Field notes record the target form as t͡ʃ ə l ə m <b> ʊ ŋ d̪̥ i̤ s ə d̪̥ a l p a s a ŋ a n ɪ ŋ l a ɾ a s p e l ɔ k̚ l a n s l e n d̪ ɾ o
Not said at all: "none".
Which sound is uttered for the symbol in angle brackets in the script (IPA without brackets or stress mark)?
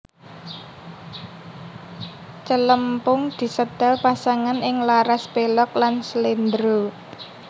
p